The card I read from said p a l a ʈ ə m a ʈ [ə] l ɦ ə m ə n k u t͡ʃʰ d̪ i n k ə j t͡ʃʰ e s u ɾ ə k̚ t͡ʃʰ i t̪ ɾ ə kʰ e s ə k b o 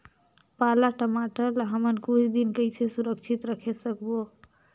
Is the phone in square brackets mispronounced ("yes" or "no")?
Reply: no